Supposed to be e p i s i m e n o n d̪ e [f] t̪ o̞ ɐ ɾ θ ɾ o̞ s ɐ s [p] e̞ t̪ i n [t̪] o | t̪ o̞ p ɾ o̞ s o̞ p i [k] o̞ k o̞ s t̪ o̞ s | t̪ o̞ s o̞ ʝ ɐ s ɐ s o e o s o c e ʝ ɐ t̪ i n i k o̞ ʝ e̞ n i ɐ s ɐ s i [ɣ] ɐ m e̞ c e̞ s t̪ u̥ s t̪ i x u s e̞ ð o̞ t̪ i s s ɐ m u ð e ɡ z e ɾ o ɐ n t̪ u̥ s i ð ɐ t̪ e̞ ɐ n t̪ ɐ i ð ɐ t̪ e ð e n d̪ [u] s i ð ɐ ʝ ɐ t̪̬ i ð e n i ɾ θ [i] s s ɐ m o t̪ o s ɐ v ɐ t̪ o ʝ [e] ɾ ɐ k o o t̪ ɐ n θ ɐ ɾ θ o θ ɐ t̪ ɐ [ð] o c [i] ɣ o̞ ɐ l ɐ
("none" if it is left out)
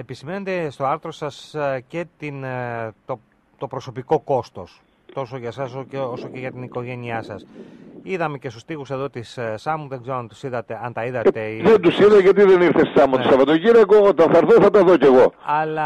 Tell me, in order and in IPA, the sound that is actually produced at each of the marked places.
s, c, t̪, k, ð, u, e, i, ð, e

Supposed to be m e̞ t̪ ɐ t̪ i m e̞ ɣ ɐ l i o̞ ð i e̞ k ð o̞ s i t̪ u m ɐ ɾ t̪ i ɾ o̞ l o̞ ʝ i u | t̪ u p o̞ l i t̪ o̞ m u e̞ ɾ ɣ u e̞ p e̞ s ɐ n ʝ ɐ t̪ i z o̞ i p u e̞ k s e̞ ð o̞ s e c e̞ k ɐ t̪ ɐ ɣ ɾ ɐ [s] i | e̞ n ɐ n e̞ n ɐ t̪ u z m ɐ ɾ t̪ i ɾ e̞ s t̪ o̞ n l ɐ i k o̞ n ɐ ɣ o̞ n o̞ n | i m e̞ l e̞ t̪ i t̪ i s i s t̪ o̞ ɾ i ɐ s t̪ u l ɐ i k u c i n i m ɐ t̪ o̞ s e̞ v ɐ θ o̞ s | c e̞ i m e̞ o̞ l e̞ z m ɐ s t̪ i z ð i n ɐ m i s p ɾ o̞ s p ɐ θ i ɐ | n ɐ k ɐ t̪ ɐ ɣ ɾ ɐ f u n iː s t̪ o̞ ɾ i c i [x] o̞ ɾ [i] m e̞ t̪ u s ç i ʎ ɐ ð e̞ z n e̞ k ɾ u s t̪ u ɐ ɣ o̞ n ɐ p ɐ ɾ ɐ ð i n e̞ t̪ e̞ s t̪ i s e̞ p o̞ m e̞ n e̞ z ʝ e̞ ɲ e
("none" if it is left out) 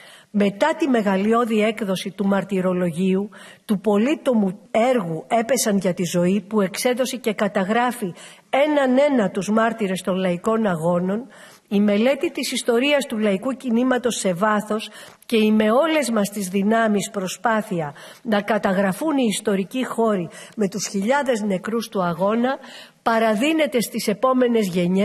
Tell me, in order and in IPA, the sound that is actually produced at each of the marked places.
f, x, i

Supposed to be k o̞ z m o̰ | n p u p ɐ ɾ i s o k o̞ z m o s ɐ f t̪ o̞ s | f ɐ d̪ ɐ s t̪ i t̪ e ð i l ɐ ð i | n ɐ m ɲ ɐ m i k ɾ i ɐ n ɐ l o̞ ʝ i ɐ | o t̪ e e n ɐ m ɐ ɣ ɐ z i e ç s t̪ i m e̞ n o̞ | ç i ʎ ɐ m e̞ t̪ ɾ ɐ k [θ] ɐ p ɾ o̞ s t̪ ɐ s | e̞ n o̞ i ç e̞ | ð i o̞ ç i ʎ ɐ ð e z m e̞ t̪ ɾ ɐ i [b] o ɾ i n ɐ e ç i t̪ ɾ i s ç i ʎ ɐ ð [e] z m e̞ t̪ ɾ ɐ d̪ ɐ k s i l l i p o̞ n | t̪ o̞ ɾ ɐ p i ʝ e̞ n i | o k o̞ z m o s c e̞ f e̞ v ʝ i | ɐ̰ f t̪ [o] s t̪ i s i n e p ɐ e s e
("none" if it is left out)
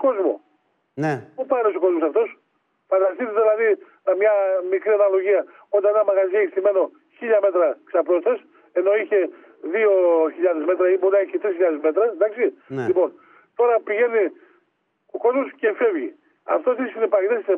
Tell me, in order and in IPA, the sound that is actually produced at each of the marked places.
s, b, e, o

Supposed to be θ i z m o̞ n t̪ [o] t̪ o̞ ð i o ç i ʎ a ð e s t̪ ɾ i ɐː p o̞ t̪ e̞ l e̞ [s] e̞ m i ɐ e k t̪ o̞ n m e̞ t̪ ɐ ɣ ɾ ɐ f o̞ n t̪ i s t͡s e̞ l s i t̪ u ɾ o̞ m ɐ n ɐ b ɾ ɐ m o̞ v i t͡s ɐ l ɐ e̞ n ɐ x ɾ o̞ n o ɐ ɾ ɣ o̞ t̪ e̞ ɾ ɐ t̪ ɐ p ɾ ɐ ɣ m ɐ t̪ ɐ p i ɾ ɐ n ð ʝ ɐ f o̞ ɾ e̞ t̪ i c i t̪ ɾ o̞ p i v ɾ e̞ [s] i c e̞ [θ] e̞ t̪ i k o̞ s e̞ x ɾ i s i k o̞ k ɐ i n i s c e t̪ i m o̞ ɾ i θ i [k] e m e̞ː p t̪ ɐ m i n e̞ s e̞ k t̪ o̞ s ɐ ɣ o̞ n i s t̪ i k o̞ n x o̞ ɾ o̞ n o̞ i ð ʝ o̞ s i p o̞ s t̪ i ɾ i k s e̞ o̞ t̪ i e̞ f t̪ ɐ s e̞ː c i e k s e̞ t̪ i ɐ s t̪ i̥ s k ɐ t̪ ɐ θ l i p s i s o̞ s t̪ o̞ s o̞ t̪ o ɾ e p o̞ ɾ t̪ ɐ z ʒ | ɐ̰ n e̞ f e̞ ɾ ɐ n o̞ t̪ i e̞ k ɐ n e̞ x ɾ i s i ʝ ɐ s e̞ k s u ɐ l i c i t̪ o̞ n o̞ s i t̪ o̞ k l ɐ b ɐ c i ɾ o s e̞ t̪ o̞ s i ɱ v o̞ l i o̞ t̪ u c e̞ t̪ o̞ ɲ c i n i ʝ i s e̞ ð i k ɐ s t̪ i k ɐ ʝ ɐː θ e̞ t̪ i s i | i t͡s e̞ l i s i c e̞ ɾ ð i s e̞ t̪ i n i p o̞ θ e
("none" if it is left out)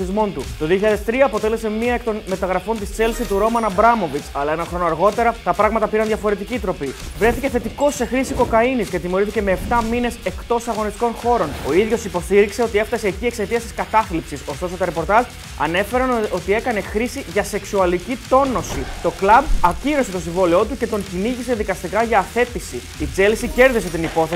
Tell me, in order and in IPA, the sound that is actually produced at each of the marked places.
u, s, θ, θ, c

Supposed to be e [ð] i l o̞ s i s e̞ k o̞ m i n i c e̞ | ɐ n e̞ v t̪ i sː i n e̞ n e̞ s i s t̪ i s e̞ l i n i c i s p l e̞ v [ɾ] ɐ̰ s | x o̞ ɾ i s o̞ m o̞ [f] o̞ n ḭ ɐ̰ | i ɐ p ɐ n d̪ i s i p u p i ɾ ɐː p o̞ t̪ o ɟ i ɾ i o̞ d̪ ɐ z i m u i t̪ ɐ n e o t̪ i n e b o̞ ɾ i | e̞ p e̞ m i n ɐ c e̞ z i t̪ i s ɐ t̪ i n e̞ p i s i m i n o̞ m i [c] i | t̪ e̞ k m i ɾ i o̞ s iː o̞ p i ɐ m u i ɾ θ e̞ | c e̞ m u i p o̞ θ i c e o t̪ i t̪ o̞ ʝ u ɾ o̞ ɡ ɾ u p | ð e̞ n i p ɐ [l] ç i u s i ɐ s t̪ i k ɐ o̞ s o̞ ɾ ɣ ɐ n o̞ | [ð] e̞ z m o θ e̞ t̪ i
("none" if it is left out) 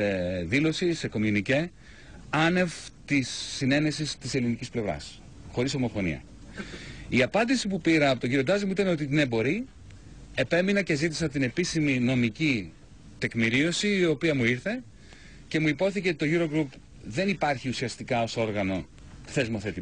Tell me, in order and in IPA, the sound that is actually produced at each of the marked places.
ð, ɾ, f, c, ɾ, θ

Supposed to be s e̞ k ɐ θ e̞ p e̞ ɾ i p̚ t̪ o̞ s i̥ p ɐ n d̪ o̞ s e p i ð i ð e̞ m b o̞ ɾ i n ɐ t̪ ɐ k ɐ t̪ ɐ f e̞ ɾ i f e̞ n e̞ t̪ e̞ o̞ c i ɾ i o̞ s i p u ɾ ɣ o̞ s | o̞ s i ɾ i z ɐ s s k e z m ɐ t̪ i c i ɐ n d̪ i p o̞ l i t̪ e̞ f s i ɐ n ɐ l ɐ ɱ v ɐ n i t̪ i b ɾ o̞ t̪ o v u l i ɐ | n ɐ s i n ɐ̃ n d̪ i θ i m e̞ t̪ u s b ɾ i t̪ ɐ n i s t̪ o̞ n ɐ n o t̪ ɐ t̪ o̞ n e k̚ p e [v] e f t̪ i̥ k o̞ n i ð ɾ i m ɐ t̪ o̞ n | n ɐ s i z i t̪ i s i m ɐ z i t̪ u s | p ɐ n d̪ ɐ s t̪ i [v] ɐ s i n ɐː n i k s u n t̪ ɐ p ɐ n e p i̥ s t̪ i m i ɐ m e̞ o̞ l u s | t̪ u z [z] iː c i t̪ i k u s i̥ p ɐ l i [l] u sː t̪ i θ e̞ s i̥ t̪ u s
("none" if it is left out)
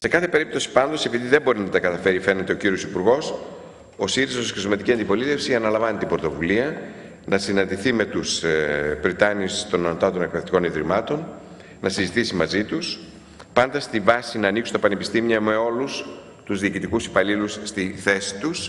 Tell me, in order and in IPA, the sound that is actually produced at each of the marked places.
ð, v, ð, l

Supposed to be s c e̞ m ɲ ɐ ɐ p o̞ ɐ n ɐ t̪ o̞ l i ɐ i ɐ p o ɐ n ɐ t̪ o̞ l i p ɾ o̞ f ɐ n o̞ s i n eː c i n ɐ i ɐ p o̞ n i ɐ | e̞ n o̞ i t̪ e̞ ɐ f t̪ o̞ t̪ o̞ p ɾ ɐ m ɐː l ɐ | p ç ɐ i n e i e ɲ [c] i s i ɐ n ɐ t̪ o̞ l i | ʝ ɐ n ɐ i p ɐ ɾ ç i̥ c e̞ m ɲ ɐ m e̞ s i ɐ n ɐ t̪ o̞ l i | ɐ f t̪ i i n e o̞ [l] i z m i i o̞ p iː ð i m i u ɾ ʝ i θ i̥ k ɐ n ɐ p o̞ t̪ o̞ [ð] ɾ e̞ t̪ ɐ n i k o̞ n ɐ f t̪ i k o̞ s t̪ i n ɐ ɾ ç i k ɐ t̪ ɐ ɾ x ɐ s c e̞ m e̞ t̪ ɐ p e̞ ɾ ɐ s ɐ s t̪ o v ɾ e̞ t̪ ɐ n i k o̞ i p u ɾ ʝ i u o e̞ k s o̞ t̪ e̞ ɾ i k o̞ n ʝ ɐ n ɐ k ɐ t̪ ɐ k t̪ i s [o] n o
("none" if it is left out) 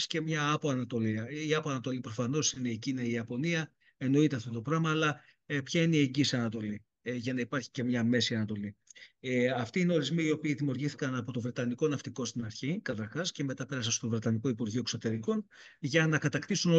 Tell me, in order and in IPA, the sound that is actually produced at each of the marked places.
ɟ, ɾ, v, u

